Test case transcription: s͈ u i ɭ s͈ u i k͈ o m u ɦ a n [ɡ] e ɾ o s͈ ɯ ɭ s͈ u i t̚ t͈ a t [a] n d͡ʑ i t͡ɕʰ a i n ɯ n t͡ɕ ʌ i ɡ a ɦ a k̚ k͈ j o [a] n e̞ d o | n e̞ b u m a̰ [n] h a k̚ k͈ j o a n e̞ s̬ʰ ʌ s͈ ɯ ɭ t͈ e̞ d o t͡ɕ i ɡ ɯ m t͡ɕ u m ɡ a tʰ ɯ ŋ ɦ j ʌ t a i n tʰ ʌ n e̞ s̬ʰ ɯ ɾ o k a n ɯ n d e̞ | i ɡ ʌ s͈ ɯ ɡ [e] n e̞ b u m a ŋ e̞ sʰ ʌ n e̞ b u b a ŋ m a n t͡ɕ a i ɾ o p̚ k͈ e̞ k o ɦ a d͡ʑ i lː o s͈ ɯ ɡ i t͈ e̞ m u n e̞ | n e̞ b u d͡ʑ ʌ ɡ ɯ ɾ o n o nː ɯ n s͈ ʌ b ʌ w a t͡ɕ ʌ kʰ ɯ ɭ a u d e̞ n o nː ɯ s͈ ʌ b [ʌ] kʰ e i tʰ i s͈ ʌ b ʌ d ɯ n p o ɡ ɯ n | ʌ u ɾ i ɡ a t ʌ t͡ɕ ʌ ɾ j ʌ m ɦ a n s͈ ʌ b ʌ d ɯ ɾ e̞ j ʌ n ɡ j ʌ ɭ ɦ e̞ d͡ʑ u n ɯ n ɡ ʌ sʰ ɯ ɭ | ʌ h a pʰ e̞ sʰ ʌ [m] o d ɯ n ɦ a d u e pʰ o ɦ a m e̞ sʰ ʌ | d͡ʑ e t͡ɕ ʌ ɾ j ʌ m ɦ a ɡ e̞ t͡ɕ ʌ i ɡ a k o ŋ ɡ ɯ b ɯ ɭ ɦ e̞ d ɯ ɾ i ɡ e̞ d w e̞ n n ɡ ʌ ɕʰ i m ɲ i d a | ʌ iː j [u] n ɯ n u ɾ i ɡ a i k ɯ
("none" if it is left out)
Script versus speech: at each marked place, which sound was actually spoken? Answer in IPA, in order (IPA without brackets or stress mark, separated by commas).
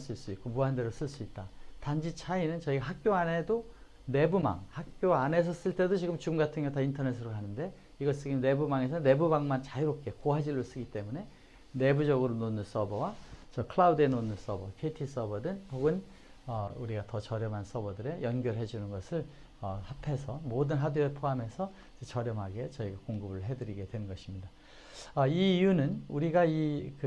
d, a, a, ŋ, i, ʌ, m, u